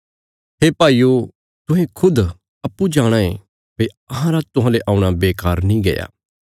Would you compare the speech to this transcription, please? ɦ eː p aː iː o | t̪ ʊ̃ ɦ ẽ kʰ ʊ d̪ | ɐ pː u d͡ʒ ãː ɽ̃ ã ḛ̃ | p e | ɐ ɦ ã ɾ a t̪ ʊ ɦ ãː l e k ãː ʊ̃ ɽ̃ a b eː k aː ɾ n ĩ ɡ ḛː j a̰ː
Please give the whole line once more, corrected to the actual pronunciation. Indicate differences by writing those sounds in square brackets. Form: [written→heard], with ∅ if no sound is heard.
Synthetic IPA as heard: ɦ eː p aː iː o | t̪ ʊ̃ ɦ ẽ kʰ ʊ d̪ | ɐ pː u d͡ʒ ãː ɽ̃ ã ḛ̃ | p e | ɐ ɦ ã ɾ a t̪ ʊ ɦ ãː l e [k→ʔ] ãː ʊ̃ ɽ̃ a b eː k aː ɾ n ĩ ɡ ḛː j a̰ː